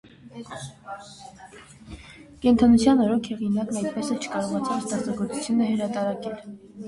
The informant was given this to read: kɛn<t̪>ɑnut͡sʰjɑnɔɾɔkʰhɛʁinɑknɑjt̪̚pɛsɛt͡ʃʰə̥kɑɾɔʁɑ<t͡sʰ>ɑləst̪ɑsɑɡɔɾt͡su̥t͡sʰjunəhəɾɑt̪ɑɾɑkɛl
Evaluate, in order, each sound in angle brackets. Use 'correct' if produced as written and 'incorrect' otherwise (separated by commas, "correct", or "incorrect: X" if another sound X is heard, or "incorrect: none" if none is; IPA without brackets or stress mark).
incorrect: t̪ʰ, correct